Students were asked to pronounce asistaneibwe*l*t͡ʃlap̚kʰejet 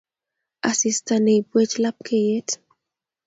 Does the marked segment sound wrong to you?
yes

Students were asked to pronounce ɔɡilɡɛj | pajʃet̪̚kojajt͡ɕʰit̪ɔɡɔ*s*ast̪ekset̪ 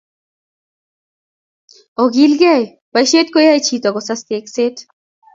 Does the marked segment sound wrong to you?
no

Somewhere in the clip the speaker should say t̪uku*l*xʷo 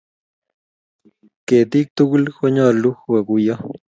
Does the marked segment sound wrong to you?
no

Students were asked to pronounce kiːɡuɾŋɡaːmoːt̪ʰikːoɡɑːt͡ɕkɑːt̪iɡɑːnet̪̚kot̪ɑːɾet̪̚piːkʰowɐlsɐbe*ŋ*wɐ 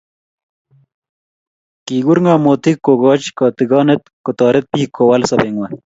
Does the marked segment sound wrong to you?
no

